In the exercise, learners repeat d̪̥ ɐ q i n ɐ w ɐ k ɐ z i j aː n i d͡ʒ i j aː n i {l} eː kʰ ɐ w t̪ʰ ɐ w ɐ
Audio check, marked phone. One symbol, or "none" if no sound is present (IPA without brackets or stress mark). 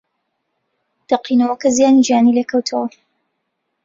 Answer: l